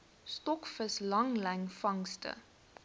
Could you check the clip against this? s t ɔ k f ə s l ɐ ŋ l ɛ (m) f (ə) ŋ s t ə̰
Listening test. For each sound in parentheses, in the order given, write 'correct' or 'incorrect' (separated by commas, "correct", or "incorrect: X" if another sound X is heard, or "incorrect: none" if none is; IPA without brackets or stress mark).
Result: incorrect: ŋ, incorrect: ɐ